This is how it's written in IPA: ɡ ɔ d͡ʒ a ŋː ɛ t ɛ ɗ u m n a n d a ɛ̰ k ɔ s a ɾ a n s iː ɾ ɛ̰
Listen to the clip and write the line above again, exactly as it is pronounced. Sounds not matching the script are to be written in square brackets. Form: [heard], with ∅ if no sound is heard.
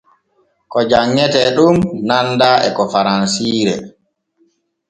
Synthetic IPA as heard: [k] ɔ d͡ʒ a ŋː ɛ t ɛ ɗ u m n a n d a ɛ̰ k ɔ [f] a ɾ a n s iː ɾ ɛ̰